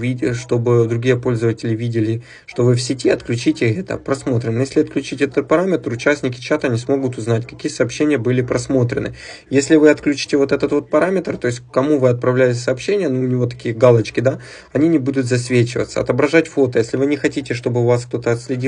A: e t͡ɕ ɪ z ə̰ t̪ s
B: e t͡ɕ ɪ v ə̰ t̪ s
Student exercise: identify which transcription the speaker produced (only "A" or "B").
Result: B